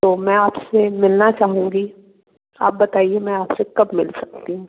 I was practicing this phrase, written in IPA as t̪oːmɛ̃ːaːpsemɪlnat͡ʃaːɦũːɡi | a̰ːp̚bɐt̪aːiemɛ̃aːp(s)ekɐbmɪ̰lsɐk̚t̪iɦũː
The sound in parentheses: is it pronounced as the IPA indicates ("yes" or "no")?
yes